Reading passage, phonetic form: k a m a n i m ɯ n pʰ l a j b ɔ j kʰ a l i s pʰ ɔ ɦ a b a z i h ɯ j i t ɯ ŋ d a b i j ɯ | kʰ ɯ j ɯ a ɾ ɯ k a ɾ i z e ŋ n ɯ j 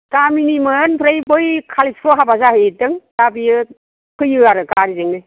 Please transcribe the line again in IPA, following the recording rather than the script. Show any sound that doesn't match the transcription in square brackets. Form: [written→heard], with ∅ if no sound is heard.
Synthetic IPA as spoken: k a m [a→i] n i m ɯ n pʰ [l→ɾ] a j b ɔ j kʰ a l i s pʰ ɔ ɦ a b a z [i→a] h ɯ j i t ɯ ŋ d a b i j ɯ | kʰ ɯ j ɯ a ɾ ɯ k a ɾ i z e ŋ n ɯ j

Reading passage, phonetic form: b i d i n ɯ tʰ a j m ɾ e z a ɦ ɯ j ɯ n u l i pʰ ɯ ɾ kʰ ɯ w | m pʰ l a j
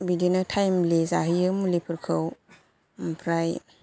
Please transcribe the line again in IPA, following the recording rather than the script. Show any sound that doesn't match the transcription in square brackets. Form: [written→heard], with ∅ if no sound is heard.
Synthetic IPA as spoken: b i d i n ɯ tʰ a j m [ɾ→l] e z a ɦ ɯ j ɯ [n→m] u l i pʰ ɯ ɾ kʰ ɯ w | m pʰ [l→ɾ] a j

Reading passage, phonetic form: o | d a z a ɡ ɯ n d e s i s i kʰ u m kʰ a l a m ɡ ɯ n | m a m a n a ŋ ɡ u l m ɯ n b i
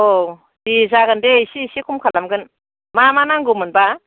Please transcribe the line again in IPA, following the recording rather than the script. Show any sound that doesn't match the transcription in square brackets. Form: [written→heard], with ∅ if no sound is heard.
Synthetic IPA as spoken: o | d [a→i] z a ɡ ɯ n d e s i s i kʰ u m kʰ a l a m ɡ ɯ n | m a m a n a ŋ ɡ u [l→∅] m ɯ n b [i→a]

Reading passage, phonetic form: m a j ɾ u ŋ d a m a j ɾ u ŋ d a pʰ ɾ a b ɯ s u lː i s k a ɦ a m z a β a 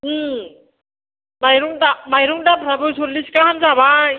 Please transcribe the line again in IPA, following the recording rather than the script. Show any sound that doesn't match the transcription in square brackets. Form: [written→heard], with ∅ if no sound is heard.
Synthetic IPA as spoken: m a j ɾ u ŋ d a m a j ɾ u ŋ d a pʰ ɾ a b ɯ s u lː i s k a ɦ a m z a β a

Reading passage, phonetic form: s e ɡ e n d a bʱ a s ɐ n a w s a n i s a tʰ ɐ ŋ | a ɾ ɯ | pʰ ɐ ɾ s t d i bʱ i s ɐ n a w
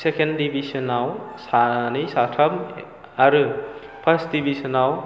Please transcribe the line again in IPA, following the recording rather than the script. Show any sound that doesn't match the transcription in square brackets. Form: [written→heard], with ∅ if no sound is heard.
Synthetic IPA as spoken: s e [ɡ→k] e n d [a→i] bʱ [a→i] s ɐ n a w s a n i s a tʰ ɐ [ŋ→m] | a ɾ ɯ | pʰ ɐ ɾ s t d i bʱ i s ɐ n a w

